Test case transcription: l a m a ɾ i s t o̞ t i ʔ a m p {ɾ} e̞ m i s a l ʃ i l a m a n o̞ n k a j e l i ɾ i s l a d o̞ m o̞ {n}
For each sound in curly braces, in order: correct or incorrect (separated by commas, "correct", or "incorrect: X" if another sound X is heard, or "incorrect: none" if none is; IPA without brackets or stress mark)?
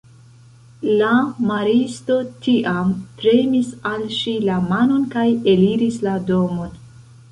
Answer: correct, correct